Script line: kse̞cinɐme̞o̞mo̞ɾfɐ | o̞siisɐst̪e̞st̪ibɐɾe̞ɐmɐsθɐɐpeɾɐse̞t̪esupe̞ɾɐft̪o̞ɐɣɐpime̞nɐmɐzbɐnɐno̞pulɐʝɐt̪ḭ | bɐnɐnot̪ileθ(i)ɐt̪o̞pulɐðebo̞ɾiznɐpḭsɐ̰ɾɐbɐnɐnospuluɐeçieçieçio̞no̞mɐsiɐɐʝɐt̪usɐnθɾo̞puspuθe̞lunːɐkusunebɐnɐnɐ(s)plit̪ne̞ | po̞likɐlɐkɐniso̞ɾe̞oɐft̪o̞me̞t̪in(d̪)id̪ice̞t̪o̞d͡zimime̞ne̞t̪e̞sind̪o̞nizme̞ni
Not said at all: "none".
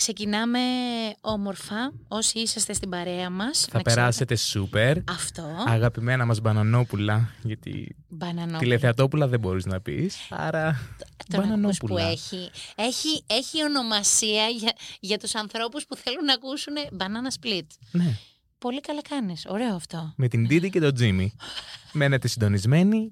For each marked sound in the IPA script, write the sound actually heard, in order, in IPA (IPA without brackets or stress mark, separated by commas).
e, s, d̪